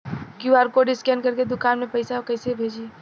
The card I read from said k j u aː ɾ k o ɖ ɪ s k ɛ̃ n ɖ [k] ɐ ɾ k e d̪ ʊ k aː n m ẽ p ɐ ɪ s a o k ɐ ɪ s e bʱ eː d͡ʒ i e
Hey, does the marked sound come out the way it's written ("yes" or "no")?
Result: yes